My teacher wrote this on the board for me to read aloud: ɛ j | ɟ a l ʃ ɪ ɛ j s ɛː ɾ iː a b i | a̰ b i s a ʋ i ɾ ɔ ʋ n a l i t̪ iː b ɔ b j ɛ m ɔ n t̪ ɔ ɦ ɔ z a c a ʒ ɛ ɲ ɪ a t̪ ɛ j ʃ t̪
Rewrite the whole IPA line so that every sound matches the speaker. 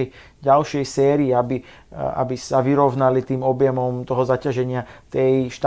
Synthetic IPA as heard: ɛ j | ɟ a l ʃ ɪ ɛ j s ɛː ɾ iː a b i | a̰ b i s a ʋ i ɾ ɔ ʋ n a l i t̪ iː m ɔ b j ɛ m ɔ m t̪ ɔ ɦ ɔ z a c a ʒ ɛ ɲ ɪ a t̪ ɛ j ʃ t̪